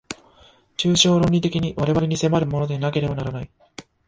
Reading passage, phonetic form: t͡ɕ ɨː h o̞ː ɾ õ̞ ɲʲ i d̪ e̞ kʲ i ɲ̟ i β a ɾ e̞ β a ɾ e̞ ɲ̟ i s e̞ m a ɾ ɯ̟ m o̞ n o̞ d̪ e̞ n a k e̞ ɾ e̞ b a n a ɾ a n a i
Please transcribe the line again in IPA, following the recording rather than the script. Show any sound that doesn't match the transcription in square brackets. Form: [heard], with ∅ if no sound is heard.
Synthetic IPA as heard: t͡ɕ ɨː [ɕ] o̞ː ɾ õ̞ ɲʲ i [t̪] e̞ kʲ i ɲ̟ i β a ɾ e̞ β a ɾ e̞ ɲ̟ i s e̞ m a ɾ ɯ̟ m o̞ n o̞ d̪ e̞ n a k e̞ ɾ e̞ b a n a ɾ a n a i